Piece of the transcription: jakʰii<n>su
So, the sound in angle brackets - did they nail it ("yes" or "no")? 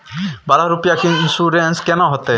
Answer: yes